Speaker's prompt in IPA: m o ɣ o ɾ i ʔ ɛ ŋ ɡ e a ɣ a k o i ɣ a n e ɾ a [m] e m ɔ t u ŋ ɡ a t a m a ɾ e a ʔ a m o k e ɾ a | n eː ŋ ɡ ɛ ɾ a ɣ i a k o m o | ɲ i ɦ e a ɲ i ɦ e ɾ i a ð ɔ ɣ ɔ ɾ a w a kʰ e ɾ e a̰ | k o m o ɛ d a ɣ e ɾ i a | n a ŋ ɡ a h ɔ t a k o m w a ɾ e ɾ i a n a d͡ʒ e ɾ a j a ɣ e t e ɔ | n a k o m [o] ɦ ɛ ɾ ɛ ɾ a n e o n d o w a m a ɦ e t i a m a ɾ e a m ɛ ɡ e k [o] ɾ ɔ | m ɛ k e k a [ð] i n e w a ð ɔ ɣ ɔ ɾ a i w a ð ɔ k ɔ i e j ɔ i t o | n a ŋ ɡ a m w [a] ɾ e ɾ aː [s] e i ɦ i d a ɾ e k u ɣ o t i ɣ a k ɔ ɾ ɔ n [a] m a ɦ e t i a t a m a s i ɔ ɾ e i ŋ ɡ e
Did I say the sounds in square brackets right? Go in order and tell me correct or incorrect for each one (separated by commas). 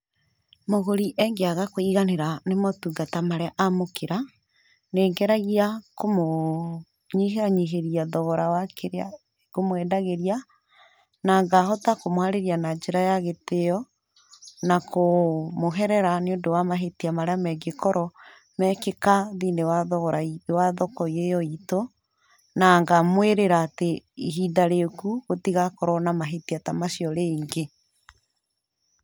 incorrect, correct, incorrect, correct, incorrect, incorrect, correct